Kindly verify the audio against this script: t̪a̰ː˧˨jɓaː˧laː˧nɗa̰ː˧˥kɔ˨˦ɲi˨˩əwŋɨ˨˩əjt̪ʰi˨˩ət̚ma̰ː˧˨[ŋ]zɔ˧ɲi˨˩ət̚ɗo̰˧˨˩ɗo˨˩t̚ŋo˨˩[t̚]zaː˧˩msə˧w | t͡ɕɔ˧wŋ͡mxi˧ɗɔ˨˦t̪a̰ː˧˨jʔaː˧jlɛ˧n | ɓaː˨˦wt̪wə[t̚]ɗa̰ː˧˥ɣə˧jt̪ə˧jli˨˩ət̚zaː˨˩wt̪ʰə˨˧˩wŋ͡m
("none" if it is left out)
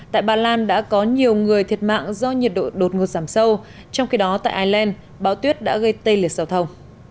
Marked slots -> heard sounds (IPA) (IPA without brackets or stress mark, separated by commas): ŋ, t̚, t̚